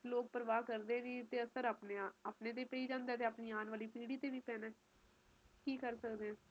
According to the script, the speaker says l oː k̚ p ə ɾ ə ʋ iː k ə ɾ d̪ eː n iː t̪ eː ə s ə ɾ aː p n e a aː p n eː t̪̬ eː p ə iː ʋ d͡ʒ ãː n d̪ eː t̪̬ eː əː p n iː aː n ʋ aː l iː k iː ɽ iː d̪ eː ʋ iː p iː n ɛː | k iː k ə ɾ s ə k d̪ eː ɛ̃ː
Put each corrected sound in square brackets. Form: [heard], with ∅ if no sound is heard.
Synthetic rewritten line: l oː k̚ p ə ɾ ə ʋ [aː] k ə ɾ d̪ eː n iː t̪ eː ə s ə ɾ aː p n e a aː p n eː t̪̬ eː p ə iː [∅] d͡ʒ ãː n d̪ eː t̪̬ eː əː p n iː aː n ʋ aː l iː [p] iː ɽ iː [t̪] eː ʋ iː p [ɛː] n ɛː | k iː k ə ɾ s ə k d̪ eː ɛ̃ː

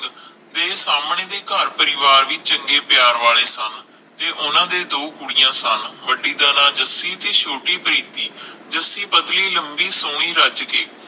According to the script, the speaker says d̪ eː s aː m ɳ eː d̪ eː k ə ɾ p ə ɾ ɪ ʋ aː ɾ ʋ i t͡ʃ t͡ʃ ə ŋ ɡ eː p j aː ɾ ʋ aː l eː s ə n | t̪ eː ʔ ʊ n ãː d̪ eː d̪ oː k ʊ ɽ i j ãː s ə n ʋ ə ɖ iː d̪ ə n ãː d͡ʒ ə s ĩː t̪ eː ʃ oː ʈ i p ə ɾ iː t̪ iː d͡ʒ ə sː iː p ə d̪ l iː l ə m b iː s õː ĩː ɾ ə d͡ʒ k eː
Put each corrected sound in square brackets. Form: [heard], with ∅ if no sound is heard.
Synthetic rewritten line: d̪ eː s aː m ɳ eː d̪ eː k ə ɾ p ə ɾ ɪ ʋ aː ɾ ʋ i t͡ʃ t͡ʃ ə ŋ ɡ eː p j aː ɾ ʋ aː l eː s ə n | t̪ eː ʔ ʊ n ãː d̪ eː d̪ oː k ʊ ɽ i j ãː s ə n ʋ ə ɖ iː d̪ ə n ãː d͡ʒ ə s [iː] t̪ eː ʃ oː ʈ [iː] p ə ɾ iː t̪ iː d͡ʒ ə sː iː p ə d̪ l iː l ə m b iː s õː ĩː ɾ ə d͡ʒ k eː

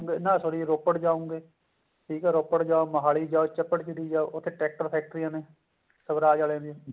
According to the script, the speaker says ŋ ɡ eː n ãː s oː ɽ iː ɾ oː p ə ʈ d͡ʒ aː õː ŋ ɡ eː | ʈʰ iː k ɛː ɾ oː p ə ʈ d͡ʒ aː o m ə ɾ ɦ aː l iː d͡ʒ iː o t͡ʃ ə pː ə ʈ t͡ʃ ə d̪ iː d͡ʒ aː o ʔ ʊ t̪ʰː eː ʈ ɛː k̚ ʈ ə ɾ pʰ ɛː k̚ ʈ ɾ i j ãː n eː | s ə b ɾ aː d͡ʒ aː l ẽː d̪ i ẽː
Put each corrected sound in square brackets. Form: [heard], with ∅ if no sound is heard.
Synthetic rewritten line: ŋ ɡ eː n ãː s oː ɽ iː ɾ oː p ə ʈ d͡ʒ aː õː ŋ ɡ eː | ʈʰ iː k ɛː ɾ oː p ə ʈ d͡ʒ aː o m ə [∅] ɦ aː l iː d͡ʒ [aː] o t͡ʃ ə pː ə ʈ t͡ʃ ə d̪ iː d͡ʒ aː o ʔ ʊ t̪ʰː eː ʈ ɛː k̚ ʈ ə ɾ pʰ ɛː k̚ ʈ ɾ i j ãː n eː | s ə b ɾ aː d͡ʒ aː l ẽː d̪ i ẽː

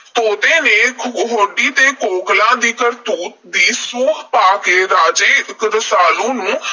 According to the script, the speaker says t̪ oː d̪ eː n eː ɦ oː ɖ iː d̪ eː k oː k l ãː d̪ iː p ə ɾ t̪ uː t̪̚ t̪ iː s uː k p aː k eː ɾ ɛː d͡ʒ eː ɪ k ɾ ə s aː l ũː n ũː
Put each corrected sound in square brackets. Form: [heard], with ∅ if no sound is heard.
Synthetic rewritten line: t̪ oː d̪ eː n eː ɦ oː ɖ iː [t̪] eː k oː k l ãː d̪ iː [k] ə ɾ t̪ uː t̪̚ [d̪] iː s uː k p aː k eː ɾ [aː] d͡ʒ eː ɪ k ɾ ə s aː l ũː n ũː

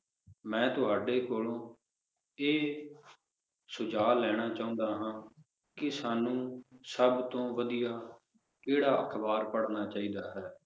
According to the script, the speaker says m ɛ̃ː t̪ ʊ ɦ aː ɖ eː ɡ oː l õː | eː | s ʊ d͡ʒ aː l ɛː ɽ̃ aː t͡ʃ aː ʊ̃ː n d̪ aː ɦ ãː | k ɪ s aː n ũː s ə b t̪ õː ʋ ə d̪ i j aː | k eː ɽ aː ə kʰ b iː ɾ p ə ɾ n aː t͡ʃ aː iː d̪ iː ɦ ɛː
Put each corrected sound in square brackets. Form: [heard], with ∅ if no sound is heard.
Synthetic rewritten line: m ɛ̃ː t̪ ʊ ɦ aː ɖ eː [k] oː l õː | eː | s ʊ d͡ʒ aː l ɛː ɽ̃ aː t͡ʃ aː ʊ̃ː n d̪ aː ɦ ãː | k ɪ s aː n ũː s ə b t̪ õː ʋ ə d̪ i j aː | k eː ɽ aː ə kʰ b [aː] ɾ p ə [ɽ] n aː t͡ʃ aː iː d̪ [aː] ɦ ɛː

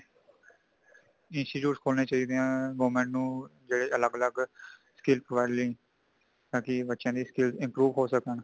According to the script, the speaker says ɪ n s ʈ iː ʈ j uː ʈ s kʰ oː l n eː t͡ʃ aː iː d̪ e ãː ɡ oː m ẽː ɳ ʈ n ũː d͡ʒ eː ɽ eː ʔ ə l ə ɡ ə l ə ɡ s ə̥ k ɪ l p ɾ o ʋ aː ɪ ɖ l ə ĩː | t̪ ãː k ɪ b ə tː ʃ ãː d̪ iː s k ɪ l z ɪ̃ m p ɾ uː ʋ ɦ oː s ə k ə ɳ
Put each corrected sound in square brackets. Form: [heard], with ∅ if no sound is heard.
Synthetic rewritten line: ɪ n s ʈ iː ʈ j uː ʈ s kʰ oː l n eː t͡ʃ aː iː d̪ e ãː ɡ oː m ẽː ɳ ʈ n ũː d͡ʒ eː ɽ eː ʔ ə l ə ɡ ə l ə ɡ s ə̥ k ɪ l p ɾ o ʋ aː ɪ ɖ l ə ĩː | t̪ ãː k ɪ b ə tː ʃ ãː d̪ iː s k ɪ l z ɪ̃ m p ɾ uː ʋ ɦ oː s ə k ə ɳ

